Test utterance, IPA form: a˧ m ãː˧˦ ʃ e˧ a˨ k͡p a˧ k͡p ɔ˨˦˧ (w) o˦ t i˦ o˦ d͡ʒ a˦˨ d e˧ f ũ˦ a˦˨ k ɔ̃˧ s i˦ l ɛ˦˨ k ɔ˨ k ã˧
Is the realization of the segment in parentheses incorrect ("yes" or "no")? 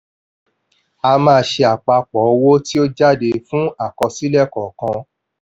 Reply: no